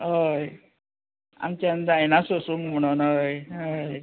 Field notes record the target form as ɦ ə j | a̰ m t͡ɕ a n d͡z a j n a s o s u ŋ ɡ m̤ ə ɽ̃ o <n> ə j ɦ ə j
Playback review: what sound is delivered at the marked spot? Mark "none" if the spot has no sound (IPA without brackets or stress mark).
n